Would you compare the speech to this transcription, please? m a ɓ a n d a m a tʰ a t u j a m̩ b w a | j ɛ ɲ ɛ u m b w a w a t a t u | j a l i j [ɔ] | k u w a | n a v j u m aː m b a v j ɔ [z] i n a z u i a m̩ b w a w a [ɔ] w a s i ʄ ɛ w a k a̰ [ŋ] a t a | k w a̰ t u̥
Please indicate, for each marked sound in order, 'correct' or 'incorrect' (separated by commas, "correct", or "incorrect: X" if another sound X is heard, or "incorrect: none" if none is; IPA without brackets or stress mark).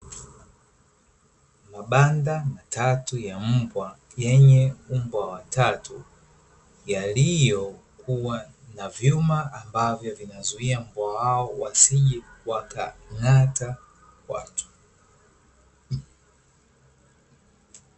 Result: correct, incorrect: v, correct, correct